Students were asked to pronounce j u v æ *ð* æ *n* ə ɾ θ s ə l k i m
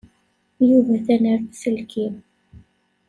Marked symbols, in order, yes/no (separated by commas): no, yes